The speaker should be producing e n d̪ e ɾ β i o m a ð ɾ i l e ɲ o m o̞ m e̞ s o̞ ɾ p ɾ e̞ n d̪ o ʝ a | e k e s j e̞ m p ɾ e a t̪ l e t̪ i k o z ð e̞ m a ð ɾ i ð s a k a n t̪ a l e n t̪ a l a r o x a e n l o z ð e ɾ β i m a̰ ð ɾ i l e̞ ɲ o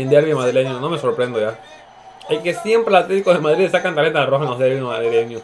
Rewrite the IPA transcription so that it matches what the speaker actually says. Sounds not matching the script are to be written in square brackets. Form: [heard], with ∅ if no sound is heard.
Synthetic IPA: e n d̪ e ɾ β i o m a ð ɾ i l e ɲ o [n] o̞ m e̞ s o̞ ɾ p ɾ e̞ n d̪ o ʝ a | e k e s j e̞ m p ɾ e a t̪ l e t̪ i k o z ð e̞ m a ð ɾ i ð s a k a n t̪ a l e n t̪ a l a r o x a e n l o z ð e ɾ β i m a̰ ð ɾ i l e̞ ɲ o